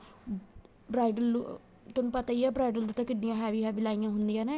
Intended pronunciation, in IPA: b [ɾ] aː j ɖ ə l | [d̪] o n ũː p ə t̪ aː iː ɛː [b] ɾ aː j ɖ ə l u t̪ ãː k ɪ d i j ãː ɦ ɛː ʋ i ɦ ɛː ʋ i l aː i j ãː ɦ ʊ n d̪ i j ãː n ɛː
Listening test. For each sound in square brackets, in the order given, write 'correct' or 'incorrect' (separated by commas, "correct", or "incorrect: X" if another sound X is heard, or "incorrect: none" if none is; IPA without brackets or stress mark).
correct, incorrect: t̪, correct